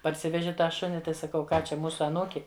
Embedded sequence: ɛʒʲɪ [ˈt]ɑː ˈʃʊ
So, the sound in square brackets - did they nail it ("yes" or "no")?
yes